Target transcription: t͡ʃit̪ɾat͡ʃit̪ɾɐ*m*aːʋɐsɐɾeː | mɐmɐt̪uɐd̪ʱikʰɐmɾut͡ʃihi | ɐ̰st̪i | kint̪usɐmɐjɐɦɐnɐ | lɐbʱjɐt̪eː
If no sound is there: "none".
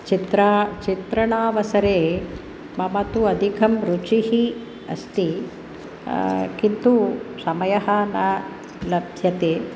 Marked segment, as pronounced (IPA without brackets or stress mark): ɳ